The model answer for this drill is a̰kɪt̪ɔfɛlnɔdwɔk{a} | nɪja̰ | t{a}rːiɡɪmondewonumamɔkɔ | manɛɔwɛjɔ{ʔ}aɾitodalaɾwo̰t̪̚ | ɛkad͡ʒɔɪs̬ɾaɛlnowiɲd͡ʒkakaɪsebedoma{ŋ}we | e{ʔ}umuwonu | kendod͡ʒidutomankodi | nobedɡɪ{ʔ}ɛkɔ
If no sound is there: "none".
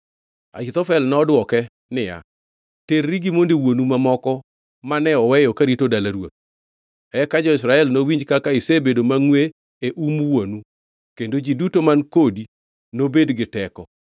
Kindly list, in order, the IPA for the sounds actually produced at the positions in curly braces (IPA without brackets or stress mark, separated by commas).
ɛ, e, k, ŋ, ʔ, t